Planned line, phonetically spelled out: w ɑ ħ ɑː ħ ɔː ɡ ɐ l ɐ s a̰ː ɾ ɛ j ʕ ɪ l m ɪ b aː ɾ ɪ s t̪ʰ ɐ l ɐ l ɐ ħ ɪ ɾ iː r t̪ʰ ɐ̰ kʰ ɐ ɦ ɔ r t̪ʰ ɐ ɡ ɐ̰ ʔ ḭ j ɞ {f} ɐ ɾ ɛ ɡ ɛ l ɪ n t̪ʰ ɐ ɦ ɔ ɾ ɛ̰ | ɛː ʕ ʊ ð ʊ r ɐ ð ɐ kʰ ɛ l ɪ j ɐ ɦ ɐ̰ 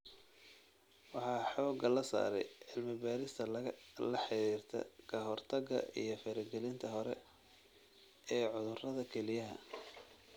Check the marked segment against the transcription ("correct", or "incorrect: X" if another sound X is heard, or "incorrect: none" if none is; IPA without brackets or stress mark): correct